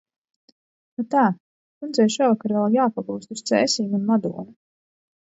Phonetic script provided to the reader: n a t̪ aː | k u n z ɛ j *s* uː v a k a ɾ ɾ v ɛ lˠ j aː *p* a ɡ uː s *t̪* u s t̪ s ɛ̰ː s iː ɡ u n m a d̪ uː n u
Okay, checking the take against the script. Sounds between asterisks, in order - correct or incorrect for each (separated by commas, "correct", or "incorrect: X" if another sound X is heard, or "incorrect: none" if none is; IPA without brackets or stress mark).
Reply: incorrect: ʃ, correct, correct